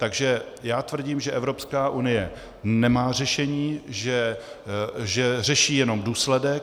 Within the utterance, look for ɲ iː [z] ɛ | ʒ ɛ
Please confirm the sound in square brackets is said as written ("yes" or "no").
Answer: no